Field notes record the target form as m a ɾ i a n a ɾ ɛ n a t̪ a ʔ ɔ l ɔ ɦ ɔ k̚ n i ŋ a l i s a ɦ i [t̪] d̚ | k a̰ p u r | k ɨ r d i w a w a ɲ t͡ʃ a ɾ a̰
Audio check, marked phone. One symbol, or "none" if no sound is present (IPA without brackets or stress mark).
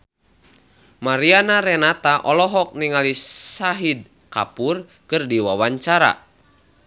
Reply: none